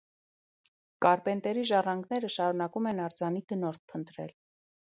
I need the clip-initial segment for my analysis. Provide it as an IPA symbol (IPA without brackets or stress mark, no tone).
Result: k